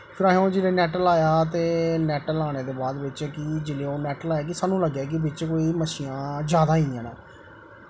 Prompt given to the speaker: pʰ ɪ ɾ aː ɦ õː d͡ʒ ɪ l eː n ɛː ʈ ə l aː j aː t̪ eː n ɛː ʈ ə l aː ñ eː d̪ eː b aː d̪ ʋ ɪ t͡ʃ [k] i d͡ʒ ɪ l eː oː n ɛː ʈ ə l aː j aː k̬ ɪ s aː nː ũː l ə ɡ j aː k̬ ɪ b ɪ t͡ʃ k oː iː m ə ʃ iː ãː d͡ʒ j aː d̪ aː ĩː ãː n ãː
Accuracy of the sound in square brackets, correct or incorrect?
correct